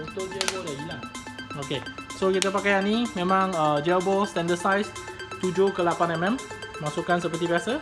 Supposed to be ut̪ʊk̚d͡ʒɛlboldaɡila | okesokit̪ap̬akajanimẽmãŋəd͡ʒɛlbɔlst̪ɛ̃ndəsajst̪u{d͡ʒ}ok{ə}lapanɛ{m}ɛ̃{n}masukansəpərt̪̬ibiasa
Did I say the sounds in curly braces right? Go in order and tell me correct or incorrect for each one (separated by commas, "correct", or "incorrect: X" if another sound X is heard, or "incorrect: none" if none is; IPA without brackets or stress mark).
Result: correct, correct, correct, incorrect: m